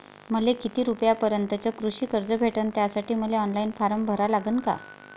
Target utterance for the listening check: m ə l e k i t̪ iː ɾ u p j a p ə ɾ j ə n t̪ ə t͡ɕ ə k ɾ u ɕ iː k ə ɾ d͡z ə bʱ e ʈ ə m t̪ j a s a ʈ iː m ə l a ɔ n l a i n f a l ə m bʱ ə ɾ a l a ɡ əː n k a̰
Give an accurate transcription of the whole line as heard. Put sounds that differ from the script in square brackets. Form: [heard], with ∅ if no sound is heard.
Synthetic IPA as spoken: m ə l e k i t̪ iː ɾ u p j a p ə ɾ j ə n t̪ ə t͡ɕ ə k ɾ u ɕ iː k ə ɾ d͡z ə bʱ e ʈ ə [n] t̪ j a s a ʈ iː m ə l [e] ɔ n l a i n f a [ɾ] ə m bʱ ə ɾ a l a ɡ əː n k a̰